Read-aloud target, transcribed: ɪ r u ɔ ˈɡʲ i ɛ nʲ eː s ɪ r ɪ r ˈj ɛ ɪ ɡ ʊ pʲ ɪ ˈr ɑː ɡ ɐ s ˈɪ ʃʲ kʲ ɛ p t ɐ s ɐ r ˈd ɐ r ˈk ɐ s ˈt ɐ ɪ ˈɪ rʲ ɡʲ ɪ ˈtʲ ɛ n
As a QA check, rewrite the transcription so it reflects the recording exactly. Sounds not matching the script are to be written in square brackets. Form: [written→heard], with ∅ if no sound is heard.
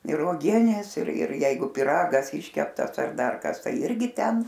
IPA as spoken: ɪ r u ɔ ˈɡʲ i ɛ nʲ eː s ɪ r ɪ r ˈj ɛ ɪ ɡ ʊ pʲ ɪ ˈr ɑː ɡ ɐ s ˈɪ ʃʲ kʲ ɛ p t ɐ s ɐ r ˈd ɐ r ˈk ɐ s ˈt ɐ ɪ ˈɪ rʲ ɡʲ ɪ ˈtʲ ɛ n